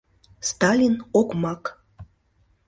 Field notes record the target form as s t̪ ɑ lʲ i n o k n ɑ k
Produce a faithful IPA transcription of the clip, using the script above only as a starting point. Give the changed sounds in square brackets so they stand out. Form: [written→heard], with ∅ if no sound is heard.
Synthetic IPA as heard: s t̪ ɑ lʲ i n o k [n→m] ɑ k